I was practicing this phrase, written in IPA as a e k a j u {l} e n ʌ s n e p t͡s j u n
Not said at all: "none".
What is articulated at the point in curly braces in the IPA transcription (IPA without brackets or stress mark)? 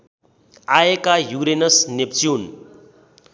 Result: ɾ